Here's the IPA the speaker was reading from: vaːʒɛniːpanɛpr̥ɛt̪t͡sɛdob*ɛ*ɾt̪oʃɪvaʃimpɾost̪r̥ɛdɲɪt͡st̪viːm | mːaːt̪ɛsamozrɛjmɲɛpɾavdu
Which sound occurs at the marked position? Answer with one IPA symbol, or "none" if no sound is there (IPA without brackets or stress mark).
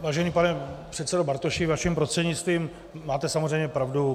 a